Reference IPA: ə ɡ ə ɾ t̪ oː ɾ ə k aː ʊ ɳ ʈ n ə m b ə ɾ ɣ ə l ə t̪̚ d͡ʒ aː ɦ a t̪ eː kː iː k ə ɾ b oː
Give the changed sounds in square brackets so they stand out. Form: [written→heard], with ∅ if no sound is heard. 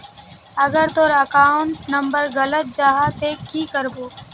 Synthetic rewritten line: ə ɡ ə ɾ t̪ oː ɾ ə k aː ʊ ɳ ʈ n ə m b ə ɾ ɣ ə l ə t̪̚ d͡ʒ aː ɦ a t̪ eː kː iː k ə ɾ b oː